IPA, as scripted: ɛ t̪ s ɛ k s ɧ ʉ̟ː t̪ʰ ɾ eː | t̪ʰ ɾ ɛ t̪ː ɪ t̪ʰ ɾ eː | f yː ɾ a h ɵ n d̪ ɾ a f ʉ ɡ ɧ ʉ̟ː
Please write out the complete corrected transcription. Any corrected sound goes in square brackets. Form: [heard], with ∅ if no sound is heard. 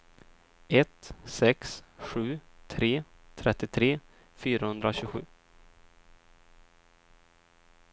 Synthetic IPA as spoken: ɛ t̪ s ɛ k s ɧ ʉ̟ː t̪ʰ ɾ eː | t̪ʰ ɾ ɛ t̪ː ɪ t̪ʰ ɾ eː | f yː ɾ a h ɵ n d̪ ɾ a [ɕ] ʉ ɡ ɧ ʉ̟ː